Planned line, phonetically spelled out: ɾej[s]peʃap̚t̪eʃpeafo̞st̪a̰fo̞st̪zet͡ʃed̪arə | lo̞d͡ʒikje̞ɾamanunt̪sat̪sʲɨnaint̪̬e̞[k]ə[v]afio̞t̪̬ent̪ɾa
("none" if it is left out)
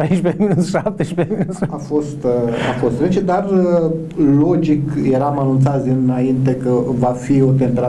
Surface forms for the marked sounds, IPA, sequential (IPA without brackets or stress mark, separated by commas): ʃ, k, v